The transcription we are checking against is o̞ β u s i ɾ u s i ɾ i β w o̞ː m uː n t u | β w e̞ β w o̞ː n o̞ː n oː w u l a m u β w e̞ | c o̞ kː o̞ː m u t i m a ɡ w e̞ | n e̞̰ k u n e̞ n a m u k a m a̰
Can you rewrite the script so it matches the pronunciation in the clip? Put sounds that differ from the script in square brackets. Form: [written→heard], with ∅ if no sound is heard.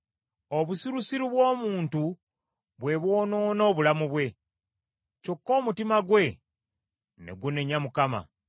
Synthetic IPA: o̞ β u s i ɾ u s i ɾ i β w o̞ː m uː n t u | β w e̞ β w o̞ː n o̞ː n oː [w→β] u l a m u β w e̞ | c o̞ kː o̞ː m u t i m a ɡ w e̞ | n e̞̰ [k→ɡ] u n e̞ [n→ɲ] a m u k a m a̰